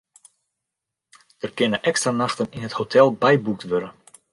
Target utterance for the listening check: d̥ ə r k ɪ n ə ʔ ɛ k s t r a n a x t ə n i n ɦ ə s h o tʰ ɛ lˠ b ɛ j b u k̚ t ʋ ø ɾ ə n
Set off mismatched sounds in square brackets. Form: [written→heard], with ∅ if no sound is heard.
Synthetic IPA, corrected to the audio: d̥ ə r k ɪ n ə ʔ ɛ k s t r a n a x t ə n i n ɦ ə [s→t] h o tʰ ɛ lˠ b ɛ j b u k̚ t ʋ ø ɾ ə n

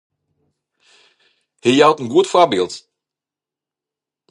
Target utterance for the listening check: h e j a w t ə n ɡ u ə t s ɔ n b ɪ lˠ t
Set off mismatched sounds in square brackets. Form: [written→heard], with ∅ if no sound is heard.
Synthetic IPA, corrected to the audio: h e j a w t ə n ɡ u ə t [s→f] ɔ [n→∅] b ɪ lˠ t

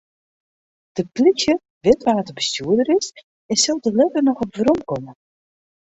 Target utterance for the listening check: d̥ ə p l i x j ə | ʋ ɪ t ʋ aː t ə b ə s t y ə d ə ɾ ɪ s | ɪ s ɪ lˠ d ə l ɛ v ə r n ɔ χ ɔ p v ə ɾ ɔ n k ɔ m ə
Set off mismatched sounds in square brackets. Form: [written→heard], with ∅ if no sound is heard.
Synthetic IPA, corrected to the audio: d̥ ə p l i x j ə | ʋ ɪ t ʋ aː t ə b ə s t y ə d ə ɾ ɪ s | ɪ s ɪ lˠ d ə l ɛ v ə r n ɔ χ ɔ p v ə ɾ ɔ [n→m] k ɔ m ə

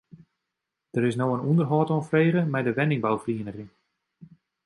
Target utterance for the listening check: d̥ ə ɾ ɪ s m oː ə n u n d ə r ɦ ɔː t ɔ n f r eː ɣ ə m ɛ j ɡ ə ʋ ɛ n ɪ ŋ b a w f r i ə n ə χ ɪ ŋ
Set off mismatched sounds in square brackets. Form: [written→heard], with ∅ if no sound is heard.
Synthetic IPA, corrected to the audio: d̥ ə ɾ ɪ s [m→n] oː ə n u n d ə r ɦ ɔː t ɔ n f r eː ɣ ə m ɛ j [ɡ→d] ə ʋ ɛ n ɪ ŋ b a w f r i ə n ə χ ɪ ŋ

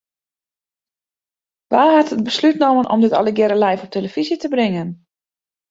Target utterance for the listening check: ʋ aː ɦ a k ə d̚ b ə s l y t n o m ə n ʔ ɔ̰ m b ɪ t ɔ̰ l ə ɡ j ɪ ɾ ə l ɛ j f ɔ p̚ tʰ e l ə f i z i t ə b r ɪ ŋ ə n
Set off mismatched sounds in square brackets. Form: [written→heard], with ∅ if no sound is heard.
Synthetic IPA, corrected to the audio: ʋ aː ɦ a [k→t] ə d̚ b ə s l y t n o m ə n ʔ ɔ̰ m [b→d] ɪ t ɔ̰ l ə ɡ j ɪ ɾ ə l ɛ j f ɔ p̚ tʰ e l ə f i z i t ə b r ɪ ŋ ə n

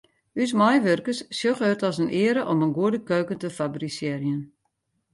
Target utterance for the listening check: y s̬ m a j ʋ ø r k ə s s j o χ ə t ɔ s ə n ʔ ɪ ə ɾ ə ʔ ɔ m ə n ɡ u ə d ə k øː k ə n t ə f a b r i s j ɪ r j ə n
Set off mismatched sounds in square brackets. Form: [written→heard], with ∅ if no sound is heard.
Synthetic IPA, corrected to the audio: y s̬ m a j ʋ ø r k ə s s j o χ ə t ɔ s ə n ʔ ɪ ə ɾ ə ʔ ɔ m ə n ɡ u ə d ə k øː k ə n t ə f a b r i s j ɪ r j ə n

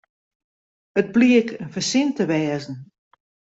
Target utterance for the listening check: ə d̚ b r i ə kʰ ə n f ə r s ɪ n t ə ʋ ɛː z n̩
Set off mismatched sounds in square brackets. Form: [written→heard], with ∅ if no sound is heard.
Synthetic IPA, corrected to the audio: ə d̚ b [r→l] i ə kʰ ə n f ə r s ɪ n t ə ʋ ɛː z n̩

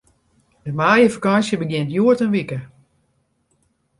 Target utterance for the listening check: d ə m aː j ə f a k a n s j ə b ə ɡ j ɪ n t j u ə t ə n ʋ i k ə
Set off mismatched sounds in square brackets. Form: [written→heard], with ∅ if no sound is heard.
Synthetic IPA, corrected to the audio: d ə m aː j ə f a k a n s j ə b ə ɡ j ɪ n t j u ə t ə n ʋ i k ə

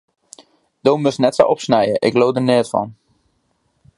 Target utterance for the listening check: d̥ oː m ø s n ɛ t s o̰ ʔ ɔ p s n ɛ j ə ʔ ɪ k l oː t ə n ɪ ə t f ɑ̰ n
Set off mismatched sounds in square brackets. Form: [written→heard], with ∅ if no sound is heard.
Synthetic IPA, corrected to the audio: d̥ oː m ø s n ɛ t s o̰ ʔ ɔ p s n ɛ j ə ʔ ɪ k l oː [t→d] ə n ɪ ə t f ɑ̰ n

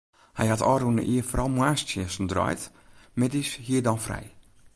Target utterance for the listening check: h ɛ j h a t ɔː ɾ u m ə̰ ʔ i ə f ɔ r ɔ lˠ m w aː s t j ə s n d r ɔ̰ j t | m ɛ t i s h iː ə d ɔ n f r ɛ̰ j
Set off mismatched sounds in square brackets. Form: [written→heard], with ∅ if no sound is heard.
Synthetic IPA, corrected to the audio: h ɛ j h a t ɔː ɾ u [m→n] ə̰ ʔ i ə f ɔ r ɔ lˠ m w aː s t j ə s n d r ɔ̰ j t | m ɛ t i s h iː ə d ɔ n f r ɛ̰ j

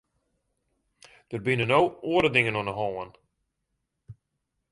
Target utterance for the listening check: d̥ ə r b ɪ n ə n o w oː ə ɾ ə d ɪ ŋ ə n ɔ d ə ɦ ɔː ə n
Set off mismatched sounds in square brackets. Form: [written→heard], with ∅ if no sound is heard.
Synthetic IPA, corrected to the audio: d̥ ə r b ɪ n ə n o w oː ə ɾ ə d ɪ ŋ ə n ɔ [d→n] ə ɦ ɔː ə n

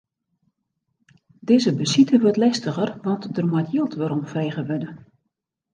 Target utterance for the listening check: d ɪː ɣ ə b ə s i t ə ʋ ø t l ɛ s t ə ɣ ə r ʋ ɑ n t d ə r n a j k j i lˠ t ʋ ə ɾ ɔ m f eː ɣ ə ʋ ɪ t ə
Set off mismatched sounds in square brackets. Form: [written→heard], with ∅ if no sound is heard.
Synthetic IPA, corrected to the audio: d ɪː [ɣ→z] ə b ə s i t ə ʋ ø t l ɛ s t ə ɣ ə r ʋ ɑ n t d ə r [n→m] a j [k→t] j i lˠ t ʋ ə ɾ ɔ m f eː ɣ ə ʋ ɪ [t→d] ə

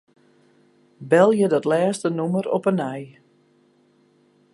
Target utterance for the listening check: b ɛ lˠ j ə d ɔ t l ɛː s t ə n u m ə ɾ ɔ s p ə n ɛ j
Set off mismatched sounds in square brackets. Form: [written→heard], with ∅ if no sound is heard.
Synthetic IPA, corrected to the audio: b ɛ lˠ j ə d ɔ t l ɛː s t ə n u m ə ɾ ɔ [s→∅] p ə n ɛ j

